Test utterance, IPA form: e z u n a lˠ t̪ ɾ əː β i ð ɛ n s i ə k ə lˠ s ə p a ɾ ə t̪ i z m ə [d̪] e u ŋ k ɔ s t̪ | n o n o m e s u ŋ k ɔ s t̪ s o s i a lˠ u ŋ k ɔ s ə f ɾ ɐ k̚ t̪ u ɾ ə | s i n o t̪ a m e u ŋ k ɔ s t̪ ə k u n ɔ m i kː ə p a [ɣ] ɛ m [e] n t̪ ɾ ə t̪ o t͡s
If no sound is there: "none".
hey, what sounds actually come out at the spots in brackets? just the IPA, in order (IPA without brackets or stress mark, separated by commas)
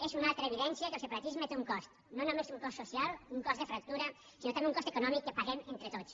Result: t̪, ɣ, e